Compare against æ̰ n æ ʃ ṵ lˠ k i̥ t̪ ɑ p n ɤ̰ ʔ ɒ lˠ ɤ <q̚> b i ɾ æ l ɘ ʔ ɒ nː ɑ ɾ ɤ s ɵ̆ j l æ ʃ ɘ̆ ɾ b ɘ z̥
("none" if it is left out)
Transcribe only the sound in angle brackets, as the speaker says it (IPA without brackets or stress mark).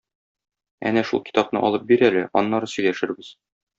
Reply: p̚